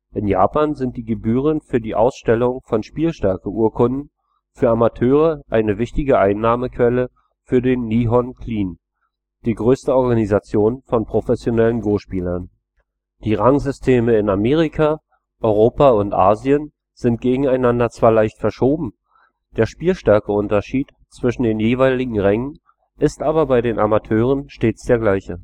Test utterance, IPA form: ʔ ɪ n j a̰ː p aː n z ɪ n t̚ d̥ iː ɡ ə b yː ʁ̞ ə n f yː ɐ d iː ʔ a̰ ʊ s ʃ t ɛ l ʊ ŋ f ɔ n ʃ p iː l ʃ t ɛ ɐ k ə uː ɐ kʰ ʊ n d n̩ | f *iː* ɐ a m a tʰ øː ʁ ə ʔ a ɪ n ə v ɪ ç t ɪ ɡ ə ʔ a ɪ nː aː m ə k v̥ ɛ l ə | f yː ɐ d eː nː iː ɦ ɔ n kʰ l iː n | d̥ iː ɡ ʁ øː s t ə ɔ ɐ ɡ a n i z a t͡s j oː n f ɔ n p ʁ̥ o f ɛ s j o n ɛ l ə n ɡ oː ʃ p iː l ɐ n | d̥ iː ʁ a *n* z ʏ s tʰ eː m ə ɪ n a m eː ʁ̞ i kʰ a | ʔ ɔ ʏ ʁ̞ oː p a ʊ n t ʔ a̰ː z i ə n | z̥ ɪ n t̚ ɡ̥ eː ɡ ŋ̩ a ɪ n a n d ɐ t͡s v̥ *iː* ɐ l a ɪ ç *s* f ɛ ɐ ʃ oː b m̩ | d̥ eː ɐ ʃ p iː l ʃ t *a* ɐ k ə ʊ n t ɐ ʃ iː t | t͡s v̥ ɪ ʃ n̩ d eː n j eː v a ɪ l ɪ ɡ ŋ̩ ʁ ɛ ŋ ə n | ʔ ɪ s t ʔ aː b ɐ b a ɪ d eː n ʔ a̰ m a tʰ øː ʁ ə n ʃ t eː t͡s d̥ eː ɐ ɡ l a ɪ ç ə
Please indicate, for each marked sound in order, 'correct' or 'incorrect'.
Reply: incorrect: yː, incorrect: ŋ, incorrect: aː, incorrect: t, incorrect: ɛ

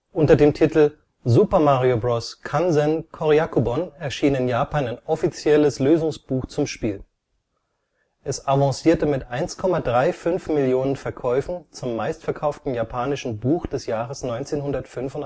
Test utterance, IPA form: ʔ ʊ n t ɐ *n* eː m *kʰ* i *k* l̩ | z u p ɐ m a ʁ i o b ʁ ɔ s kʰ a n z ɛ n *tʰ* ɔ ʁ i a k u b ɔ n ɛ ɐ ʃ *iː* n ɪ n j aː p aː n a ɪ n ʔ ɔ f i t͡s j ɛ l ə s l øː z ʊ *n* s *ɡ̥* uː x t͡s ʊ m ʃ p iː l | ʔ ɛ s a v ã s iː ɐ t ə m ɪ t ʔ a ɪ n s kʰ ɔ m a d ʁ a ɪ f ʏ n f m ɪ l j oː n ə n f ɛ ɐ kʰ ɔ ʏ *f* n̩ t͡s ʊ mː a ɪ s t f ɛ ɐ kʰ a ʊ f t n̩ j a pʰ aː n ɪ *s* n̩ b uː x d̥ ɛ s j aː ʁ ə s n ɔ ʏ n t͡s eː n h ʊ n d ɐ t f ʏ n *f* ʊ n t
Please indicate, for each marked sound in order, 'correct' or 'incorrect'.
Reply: incorrect: d, incorrect: tʰ, incorrect: t, incorrect: kʰ, correct, incorrect: ŋ, incorrect: b̥, correct, incorrect: ʃ, correct

